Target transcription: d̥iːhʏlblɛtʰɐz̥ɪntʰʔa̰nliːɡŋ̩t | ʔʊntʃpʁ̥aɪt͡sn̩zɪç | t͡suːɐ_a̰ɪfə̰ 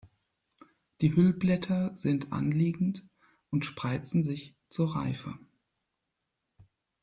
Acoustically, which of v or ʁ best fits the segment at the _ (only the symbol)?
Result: ʁ